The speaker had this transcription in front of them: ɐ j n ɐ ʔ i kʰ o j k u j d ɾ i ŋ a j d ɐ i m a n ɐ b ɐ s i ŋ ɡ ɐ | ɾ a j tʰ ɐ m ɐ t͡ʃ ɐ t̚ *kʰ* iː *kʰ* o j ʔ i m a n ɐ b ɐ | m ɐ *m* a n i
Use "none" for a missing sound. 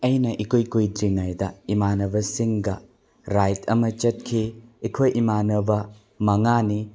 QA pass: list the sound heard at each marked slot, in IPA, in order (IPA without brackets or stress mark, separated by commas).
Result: kʰ, kʰ, ŋ